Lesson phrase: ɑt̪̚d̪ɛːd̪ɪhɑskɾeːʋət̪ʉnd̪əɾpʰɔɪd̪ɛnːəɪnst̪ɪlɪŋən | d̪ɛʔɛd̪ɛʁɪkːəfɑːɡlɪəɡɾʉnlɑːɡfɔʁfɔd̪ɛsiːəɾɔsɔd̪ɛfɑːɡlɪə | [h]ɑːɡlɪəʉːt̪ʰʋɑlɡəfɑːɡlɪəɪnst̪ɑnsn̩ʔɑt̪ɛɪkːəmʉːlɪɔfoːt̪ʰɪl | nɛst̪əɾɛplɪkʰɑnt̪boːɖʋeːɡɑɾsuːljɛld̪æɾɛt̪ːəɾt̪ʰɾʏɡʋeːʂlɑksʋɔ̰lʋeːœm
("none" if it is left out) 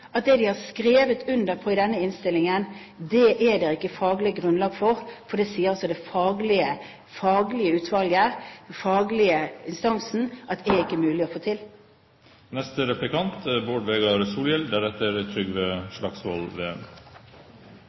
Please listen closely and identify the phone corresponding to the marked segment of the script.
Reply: f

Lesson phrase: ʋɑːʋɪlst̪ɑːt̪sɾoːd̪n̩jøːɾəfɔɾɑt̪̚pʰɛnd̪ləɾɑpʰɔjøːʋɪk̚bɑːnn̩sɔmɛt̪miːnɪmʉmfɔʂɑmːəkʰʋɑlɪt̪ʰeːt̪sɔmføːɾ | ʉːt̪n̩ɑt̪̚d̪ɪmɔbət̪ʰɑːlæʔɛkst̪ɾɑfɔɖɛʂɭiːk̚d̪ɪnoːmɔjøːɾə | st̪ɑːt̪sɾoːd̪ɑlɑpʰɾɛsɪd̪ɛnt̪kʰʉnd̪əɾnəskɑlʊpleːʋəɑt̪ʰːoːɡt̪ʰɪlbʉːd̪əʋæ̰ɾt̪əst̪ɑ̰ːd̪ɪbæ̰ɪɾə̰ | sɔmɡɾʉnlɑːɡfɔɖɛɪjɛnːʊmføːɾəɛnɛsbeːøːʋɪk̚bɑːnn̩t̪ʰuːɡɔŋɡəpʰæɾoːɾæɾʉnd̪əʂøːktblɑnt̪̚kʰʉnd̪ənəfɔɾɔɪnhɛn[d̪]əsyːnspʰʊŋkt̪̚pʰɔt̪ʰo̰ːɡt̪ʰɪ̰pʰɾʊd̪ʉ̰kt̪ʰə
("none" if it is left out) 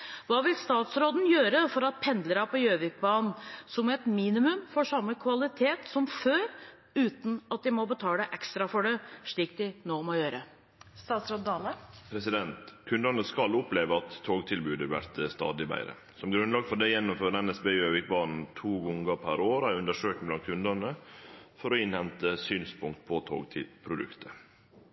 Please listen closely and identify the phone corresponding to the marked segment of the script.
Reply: t̪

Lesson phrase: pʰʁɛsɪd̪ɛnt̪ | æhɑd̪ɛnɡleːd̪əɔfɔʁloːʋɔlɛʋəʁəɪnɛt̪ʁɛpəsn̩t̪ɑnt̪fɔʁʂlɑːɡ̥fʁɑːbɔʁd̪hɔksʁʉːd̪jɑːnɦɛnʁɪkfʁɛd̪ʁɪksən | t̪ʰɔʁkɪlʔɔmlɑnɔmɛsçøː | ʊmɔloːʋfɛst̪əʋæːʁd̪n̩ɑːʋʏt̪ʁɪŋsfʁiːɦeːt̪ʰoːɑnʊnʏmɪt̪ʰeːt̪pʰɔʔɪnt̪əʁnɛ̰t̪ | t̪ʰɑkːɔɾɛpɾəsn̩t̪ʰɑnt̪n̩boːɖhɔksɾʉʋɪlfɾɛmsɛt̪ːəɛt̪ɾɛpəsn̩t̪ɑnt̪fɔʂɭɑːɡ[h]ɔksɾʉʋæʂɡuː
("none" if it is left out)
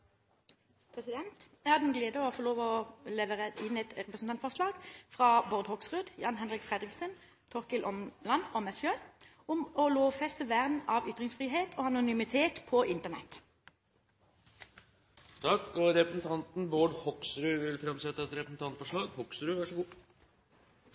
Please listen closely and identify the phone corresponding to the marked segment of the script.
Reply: h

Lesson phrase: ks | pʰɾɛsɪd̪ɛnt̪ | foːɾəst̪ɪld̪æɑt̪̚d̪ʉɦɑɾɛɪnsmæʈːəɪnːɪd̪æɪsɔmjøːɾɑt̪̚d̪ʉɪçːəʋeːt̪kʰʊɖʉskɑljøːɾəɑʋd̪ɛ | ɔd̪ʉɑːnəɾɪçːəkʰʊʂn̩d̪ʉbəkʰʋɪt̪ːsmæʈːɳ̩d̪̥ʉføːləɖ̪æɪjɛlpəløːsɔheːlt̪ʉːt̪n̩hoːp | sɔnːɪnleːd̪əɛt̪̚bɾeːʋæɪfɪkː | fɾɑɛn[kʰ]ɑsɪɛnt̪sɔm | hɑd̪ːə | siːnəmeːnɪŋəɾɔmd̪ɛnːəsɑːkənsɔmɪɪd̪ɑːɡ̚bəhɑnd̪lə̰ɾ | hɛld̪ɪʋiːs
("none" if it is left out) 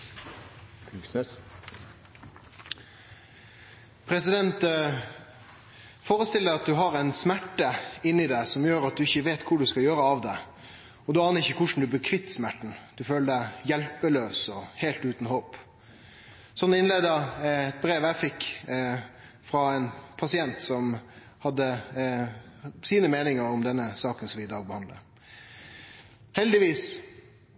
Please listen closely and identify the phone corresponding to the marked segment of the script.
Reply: pʰ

